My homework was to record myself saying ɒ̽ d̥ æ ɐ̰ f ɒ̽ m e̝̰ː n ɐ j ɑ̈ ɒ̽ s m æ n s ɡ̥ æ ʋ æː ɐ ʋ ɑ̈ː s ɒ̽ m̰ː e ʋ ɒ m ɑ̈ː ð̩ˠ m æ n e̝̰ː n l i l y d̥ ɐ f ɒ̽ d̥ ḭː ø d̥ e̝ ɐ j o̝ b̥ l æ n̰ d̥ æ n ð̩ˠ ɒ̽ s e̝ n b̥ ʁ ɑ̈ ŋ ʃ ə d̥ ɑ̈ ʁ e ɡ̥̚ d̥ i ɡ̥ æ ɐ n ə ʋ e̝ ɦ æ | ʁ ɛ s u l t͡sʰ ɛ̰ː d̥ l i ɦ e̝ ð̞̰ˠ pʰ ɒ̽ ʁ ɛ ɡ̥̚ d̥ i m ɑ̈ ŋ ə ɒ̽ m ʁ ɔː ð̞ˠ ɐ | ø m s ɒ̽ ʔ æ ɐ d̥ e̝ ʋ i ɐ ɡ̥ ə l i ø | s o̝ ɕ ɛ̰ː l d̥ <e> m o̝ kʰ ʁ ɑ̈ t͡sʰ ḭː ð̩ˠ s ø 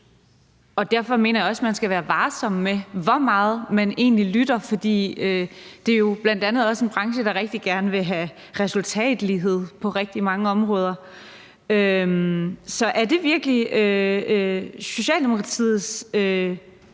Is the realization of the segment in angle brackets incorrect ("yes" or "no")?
no